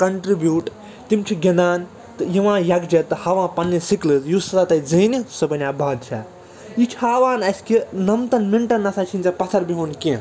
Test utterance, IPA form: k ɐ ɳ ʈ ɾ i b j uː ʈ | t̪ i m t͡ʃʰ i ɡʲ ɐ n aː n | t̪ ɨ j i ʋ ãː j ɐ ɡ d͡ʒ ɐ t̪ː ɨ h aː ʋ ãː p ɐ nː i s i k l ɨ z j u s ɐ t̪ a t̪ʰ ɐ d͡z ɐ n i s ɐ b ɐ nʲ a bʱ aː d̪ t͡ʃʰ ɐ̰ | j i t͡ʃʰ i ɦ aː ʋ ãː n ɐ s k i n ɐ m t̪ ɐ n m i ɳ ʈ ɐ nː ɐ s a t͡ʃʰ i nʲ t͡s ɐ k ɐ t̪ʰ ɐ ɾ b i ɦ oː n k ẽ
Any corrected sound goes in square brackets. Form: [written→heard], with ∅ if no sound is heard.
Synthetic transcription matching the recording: k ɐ ɳ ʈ ɾ i b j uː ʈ | t̪ i m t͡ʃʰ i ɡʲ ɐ n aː n | t̪ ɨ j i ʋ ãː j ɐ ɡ d͡ʒ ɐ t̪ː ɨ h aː ʋ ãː p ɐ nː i s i k l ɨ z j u s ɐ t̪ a [t̪ʰ→t̪] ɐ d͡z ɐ n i s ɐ b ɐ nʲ a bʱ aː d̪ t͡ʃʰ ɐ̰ | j i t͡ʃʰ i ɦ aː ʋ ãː n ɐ s k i n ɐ m t̪ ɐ n m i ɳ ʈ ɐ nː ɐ s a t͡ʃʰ i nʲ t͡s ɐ [k→p] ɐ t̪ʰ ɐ ɾ b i ɦ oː n k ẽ